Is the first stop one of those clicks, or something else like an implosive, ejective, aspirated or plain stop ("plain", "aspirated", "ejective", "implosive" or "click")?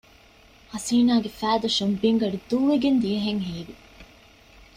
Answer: plain